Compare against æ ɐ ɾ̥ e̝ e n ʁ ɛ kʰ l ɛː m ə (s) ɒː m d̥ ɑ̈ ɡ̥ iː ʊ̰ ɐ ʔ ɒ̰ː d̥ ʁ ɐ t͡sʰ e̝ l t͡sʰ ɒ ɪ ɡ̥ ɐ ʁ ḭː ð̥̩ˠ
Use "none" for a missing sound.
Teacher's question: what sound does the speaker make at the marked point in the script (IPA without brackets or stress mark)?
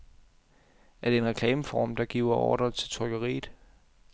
f